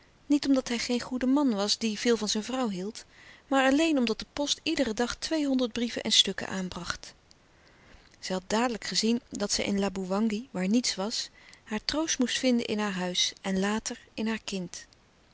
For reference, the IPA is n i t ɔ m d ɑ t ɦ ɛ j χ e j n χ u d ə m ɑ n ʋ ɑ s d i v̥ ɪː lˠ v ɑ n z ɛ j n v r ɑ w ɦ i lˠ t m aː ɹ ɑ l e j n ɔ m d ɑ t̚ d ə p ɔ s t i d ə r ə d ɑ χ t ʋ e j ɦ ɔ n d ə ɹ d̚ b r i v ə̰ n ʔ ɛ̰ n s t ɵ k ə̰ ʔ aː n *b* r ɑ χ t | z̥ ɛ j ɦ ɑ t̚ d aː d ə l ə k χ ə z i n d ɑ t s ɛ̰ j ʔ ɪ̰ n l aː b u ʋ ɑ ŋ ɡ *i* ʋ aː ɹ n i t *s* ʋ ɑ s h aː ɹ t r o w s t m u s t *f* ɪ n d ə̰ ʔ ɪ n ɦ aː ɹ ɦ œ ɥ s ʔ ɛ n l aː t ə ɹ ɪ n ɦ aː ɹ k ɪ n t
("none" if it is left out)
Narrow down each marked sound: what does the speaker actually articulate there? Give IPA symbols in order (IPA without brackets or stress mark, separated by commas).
b, i, s, f